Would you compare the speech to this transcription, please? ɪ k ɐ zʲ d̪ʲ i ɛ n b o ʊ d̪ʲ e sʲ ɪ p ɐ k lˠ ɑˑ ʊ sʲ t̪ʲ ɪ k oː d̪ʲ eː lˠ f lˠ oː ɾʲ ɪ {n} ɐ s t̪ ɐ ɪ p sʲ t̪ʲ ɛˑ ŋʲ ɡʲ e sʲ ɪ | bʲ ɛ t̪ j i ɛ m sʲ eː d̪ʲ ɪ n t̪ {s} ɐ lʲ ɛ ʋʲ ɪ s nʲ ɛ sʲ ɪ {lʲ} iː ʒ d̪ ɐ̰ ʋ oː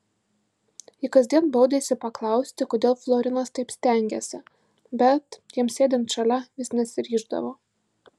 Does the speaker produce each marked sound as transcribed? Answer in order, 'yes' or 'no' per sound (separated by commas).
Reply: yes, no, no